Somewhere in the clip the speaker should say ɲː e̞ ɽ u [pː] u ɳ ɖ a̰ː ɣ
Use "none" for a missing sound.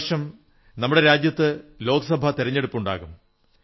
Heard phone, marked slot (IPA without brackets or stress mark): pː